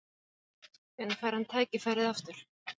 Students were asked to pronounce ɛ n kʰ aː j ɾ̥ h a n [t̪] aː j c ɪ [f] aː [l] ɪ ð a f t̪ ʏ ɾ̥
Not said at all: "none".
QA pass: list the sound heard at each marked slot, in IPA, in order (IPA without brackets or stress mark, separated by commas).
t̪ʰ, f, ɾ